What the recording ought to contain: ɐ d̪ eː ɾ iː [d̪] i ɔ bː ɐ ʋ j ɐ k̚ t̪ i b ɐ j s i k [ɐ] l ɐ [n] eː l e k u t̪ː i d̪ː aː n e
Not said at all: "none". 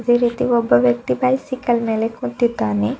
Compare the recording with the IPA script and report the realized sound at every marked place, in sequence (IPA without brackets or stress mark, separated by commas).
t̪, ɐ, m